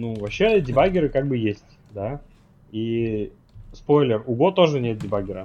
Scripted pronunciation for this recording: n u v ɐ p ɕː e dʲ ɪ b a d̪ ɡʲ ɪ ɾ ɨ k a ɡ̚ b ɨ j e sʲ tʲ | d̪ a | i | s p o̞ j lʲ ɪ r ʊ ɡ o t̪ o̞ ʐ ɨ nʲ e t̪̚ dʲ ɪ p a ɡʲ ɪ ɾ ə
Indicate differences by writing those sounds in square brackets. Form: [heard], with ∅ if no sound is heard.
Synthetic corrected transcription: n u v ɐ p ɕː e dʲ ɪ b a [∅] ɡʲ ɪ ɾ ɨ k a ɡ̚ b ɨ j e sʲ tʲ | d̪ a | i | s p o̞ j lʲ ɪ r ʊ ɡ o t̪ o̞ ʐ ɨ nʲ e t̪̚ dʲ ɪ [b] a ɡʲ ɪ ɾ ə